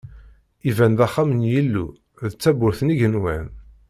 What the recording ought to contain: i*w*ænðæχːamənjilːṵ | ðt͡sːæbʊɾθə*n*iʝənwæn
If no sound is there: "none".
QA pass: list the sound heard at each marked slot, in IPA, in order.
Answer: v, n

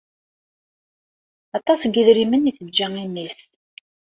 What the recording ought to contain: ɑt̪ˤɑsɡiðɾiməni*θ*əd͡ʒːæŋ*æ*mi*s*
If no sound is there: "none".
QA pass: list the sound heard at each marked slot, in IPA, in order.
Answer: θ, i, s

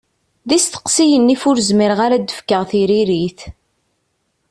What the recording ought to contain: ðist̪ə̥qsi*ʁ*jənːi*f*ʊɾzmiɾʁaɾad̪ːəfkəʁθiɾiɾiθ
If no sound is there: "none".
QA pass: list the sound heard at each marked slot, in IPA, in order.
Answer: none, f

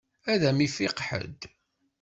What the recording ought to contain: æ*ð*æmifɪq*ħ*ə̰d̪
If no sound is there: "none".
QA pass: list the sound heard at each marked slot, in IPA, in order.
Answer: ð, ħ

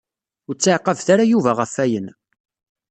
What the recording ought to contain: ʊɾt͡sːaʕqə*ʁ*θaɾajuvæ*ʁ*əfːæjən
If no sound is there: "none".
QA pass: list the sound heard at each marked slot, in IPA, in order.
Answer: v, ʁ

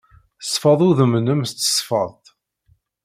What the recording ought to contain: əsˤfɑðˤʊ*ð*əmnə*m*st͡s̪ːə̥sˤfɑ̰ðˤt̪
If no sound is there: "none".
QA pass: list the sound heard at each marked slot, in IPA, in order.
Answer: ð, m

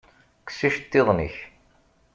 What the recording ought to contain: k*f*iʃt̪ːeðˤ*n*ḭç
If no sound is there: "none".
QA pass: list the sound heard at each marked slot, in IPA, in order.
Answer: s, n

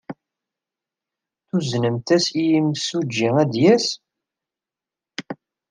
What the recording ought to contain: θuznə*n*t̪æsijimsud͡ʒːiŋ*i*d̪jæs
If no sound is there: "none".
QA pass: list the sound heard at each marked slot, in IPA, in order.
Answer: m, æ

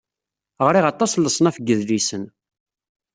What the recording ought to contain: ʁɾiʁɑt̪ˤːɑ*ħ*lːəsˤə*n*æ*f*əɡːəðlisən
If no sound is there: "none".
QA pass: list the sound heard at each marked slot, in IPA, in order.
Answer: s, n, f

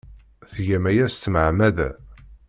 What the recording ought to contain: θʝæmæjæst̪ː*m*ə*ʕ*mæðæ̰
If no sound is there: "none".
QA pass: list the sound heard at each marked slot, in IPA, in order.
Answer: m, ʕ

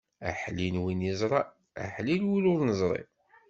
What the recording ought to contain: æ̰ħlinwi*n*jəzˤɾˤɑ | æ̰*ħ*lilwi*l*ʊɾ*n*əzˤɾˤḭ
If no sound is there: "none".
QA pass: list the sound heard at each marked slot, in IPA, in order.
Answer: n, ħ, l, n

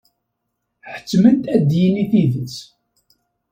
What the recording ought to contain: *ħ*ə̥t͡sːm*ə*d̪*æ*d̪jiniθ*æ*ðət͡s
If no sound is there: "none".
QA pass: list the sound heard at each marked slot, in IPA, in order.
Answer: ħ, ə, æ, i

